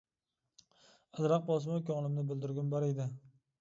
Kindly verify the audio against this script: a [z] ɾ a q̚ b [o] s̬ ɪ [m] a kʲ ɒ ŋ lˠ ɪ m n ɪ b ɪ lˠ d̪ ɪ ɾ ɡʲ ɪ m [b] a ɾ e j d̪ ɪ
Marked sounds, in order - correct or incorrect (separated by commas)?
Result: correct, incorrect, correct, correct